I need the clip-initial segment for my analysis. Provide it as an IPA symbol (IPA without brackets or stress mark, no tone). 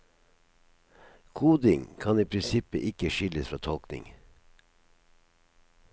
kʰ